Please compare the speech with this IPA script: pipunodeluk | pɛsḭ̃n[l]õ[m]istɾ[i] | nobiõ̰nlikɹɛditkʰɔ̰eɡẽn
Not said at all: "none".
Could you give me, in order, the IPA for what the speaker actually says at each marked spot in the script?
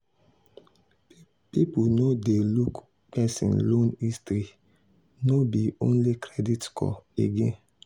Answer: l, n, i

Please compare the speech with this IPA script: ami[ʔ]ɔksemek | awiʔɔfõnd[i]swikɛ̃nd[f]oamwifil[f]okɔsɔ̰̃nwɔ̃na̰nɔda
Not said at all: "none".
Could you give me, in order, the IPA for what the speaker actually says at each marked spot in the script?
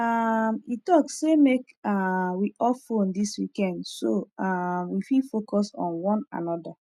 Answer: t, i, s, f

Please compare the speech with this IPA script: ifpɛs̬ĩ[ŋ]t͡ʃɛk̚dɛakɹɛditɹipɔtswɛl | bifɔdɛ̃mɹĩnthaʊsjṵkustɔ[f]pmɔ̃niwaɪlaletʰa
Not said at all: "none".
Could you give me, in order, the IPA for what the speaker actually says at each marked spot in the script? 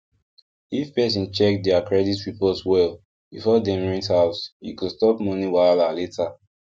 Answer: n, none

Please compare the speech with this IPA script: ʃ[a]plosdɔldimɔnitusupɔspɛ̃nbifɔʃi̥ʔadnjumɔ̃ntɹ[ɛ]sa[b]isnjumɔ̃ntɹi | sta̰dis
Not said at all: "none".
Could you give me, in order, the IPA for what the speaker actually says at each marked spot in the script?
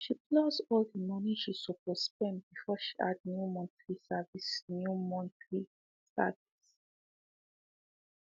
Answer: i, i, v

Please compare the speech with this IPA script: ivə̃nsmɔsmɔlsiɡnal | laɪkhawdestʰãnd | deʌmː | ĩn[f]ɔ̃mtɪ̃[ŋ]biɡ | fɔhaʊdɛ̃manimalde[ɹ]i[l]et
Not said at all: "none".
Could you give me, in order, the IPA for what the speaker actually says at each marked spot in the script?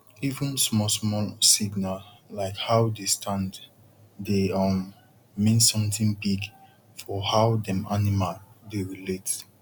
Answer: s, ŋ, ɹ, l

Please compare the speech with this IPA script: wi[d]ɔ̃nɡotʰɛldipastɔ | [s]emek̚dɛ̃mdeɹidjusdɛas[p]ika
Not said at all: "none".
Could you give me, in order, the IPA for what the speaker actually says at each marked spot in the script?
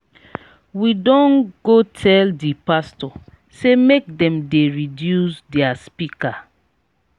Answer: d, s, p

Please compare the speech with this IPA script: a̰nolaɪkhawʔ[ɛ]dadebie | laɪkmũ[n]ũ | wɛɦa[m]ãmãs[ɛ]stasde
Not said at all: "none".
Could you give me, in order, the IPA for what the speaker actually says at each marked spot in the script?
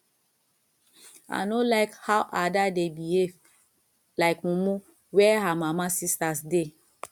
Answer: a, m, m, i

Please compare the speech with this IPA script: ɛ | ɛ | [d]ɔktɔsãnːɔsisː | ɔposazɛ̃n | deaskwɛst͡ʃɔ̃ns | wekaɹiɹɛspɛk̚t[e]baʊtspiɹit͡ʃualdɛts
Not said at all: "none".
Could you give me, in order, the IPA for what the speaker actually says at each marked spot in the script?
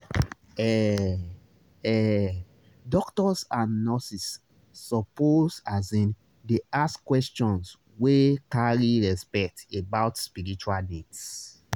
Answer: d, e

